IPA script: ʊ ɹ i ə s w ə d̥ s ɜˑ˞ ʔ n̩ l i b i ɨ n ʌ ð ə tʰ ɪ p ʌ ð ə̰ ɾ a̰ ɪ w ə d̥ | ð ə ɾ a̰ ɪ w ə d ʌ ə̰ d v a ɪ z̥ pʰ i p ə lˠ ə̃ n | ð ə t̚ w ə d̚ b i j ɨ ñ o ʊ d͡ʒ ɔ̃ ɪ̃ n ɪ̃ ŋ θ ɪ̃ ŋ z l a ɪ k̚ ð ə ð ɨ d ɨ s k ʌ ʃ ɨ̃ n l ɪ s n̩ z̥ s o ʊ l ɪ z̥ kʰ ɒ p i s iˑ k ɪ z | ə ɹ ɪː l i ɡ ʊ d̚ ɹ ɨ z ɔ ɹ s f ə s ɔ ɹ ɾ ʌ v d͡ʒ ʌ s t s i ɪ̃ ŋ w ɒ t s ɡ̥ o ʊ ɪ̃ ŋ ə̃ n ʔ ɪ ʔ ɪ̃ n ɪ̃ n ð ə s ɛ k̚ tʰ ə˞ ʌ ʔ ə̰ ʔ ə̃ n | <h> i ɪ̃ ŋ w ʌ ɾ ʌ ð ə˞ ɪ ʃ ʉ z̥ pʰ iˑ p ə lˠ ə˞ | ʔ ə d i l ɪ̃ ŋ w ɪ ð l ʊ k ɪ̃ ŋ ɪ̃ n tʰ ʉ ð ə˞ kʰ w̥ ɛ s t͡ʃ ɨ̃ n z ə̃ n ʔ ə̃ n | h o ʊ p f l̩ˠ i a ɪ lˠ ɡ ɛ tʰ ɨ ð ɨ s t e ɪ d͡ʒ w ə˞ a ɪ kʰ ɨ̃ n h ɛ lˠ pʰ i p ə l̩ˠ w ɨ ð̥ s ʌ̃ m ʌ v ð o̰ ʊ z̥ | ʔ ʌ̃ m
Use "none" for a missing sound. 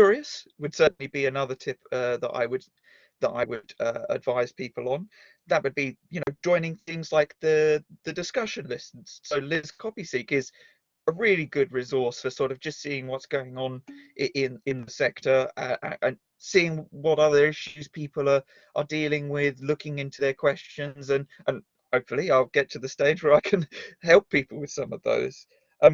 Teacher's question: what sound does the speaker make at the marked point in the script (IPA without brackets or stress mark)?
s